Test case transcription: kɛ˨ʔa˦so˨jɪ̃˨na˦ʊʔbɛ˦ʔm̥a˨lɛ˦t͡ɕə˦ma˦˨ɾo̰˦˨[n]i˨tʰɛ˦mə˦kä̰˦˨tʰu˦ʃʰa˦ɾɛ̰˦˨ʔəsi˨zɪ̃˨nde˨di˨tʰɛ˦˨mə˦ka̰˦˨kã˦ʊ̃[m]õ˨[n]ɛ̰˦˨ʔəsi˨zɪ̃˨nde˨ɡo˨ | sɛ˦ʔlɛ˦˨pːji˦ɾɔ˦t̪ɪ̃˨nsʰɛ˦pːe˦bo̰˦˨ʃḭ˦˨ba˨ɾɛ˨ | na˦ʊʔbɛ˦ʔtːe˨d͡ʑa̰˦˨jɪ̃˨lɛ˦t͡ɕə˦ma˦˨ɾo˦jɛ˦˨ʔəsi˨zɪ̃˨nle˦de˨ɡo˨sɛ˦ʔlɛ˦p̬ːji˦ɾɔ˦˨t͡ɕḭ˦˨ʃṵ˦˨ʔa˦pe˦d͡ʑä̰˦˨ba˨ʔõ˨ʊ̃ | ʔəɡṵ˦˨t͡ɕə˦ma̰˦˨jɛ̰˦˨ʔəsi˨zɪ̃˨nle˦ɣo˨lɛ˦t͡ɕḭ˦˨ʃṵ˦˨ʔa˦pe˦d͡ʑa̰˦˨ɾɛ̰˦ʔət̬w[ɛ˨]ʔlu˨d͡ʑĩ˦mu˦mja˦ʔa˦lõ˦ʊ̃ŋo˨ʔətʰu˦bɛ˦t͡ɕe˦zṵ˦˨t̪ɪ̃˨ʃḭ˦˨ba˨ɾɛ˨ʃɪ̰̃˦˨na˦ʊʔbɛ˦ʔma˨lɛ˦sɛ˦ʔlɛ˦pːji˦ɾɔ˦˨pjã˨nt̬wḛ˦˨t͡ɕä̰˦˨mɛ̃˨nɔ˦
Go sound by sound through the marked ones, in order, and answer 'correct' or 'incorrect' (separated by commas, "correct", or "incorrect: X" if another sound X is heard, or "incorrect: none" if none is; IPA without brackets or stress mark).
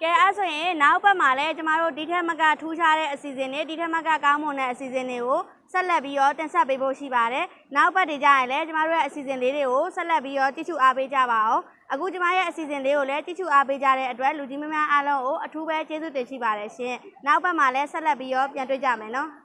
incorrect: d, correct, correct, incorrect: ɛ˦